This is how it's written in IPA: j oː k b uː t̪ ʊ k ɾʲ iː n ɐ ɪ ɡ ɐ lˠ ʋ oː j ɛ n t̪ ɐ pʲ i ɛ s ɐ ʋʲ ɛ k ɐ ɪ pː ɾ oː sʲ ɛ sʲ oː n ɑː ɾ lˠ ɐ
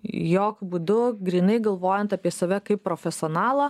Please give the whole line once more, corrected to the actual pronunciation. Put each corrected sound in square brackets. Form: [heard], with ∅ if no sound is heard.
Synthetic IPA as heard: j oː k b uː [d̪] ʊ [ɡ] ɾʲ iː n ɐ ɪ ɡ ɐ lˠ ʋ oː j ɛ n t̪ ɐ pʲ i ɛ s ɐ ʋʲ ɛ k ɐ ɪ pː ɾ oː [fʲ] ɛ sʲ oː n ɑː [∅] lˠ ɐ